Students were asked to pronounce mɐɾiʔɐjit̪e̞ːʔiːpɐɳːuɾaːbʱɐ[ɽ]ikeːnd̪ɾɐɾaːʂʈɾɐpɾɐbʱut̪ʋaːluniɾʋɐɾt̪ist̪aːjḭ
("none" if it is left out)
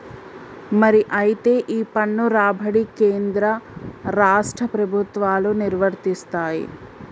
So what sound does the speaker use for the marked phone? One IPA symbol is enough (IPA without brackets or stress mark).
ɽ